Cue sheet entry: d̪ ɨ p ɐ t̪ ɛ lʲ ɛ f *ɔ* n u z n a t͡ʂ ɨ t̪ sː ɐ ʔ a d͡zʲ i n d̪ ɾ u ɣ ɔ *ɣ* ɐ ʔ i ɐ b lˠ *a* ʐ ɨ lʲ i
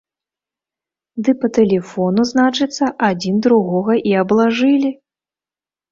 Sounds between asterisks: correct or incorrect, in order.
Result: correct, correct, correct

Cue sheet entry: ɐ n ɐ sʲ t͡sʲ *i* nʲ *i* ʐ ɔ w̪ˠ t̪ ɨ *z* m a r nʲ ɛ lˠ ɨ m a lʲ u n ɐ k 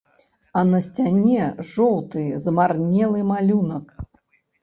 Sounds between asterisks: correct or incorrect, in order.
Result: incorrect: a, incorrect: ɛ, correct

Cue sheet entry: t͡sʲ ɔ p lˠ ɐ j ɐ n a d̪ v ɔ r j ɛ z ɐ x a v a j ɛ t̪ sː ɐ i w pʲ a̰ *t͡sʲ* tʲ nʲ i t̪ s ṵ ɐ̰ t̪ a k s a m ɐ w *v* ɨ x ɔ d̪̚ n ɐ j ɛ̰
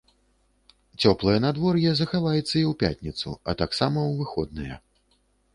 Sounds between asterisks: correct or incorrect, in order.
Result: incorrect: none, correct

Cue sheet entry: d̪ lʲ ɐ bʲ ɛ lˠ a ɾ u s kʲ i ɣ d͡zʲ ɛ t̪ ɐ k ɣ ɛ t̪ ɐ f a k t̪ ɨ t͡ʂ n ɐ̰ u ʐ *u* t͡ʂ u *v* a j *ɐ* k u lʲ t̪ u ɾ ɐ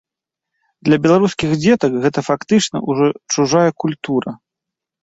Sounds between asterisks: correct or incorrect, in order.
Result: incorrect: ɔ, incorrect: ʐ, correct

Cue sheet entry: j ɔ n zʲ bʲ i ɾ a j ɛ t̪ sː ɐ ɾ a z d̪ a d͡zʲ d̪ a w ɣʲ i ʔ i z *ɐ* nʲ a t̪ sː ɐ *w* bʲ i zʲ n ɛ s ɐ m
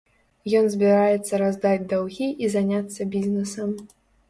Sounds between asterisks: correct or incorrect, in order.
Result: incorrect: a, incorrect: none

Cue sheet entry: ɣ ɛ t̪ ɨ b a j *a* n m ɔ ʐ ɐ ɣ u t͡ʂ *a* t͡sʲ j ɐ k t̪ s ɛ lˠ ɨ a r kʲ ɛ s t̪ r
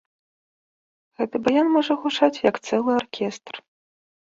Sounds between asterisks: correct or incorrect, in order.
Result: correct, correct

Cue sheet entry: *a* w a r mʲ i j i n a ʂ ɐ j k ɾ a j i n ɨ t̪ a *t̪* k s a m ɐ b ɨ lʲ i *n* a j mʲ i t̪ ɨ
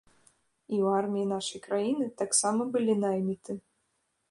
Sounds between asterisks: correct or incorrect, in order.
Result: incorrect: i, incorrect: none, correct

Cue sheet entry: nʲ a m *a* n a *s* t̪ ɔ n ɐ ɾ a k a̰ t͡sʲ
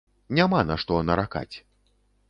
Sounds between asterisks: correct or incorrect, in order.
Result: correct, incorrect: ʂ

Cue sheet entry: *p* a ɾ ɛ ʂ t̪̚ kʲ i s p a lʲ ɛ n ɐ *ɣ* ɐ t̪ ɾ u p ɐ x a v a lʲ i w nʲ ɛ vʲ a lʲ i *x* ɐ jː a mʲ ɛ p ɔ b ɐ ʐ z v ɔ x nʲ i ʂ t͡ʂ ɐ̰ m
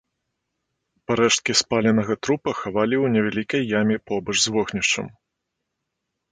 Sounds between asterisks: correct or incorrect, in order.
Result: correct, correct, incorrect: k

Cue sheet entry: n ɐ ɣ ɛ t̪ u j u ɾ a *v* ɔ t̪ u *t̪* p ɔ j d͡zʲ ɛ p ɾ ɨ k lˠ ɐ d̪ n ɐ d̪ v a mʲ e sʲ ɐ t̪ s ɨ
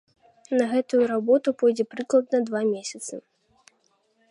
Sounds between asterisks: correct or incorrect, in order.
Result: incorrect: b, incorrect: none

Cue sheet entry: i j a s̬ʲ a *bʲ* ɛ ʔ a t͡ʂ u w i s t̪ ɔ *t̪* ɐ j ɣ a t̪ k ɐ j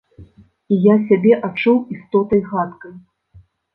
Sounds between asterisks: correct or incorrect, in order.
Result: correct, correct

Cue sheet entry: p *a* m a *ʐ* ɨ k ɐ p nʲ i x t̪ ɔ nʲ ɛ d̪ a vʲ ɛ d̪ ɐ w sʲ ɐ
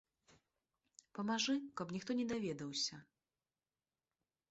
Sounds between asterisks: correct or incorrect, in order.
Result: incorrect: ɐ, correct

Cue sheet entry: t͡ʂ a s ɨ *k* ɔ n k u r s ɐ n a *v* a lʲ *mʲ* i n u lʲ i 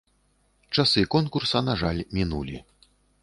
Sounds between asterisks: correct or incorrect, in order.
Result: correct, incorrect: ʐ, correct

